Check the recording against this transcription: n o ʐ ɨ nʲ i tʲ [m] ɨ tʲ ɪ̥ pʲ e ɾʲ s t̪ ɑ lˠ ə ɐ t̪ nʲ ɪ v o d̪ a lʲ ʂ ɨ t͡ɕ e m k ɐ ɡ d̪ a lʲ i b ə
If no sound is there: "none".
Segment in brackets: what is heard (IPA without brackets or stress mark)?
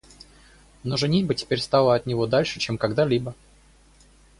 b